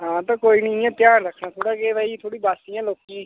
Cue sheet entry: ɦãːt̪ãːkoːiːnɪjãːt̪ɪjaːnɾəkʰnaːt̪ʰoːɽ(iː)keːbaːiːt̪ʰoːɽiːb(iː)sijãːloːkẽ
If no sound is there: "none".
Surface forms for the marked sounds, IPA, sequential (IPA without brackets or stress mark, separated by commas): aː, aː